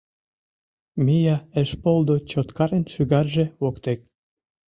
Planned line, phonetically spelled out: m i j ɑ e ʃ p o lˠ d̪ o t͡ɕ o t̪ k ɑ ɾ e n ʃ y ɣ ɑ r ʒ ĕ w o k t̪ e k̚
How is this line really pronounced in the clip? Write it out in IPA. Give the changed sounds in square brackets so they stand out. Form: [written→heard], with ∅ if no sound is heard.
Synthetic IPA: m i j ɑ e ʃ p o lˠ d̪ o t͡ɕ o t̪ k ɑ ɾ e n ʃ y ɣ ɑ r ʒ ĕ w o k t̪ e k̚